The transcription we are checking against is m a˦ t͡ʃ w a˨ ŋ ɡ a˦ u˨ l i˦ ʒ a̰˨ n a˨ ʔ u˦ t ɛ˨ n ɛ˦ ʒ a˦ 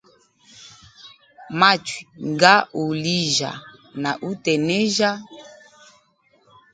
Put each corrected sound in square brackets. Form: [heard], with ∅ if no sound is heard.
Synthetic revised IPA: m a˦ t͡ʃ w [i˨] ŋ ɡ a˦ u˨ l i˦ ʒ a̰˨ n a˨ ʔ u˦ t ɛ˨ n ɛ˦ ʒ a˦